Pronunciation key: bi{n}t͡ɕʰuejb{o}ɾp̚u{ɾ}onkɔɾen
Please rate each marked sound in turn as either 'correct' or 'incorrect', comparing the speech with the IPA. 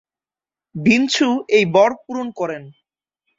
correct, incorrect: ɔ, correct

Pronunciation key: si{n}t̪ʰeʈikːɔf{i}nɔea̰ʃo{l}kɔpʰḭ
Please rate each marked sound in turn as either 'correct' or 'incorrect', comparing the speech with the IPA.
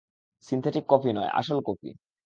correct, correct, correct

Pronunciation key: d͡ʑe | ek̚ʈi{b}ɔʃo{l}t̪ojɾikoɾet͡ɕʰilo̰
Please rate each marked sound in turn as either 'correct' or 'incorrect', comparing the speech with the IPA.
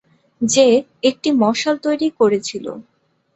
incorrect: m, correct

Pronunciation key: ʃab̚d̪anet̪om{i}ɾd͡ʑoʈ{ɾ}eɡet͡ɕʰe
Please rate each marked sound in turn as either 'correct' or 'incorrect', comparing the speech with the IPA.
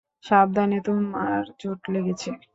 incorrect: a, incorrect: l

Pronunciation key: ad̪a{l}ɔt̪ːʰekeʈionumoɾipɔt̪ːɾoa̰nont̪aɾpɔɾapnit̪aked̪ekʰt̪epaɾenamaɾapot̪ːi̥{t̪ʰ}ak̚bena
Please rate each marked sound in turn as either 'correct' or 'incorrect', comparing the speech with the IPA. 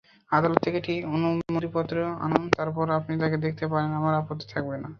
correct, correct

